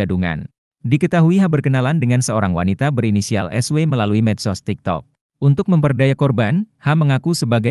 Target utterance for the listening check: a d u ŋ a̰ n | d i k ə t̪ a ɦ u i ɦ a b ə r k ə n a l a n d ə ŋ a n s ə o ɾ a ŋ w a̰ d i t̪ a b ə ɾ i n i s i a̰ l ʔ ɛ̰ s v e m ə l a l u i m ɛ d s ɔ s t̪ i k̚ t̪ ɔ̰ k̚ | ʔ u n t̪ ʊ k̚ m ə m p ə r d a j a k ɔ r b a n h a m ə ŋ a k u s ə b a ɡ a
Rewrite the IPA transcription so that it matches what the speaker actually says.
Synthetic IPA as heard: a d u ŋ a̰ n | d i k ə t̪ a ɦ u i ɦ a b ə r k ə n a l a n d ə ŋ a n s ə o ɾ a ŋ w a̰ n i t̪ a b ə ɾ i n i s i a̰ l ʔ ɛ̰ s w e m ə l a l u i m ɛ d s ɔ s t̪ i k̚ t̪ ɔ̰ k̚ | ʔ u n t̪ ʊ k̚ m ə m p ə r d a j a k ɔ r b a n h a m ə ŋ a k u s ə b a ɡ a